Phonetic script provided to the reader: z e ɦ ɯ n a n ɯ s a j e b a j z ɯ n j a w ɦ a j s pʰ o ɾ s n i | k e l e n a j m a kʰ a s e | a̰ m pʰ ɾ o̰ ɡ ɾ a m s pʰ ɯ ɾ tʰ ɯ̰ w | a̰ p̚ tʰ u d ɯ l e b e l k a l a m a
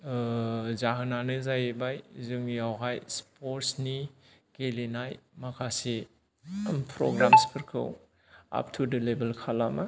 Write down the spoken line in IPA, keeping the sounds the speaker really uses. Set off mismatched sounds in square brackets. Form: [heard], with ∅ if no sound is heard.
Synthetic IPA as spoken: z [a] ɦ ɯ n a n ɯ [z] a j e b a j z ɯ [ŋ] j a w ɦ a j s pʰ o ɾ s n i | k e l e n a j m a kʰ a s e | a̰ m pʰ ɾ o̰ ɡ ɾ a m s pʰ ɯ ɾ [kʰ] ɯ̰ w | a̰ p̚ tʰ u d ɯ l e b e l [kʰ] a l a m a